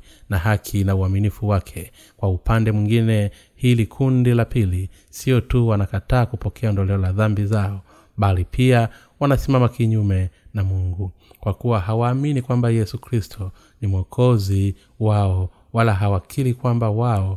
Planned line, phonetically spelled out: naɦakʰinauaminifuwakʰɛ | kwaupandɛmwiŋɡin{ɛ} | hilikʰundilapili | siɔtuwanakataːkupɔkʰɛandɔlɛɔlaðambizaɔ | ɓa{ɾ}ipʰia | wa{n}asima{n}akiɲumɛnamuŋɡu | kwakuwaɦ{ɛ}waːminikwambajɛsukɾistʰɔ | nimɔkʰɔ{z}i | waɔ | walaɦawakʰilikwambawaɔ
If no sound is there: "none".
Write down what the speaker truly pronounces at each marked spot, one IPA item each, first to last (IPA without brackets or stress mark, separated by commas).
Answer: ɛ, l, n, m, a, z